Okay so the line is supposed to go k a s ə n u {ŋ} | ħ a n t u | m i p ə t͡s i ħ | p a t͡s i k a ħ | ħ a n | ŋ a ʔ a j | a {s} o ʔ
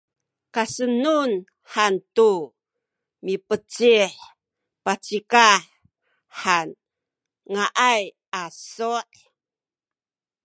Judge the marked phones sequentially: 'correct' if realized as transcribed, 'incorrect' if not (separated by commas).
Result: incorrect, correct